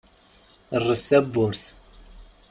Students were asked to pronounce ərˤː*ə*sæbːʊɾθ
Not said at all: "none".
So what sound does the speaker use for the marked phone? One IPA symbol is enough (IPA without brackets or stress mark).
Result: ə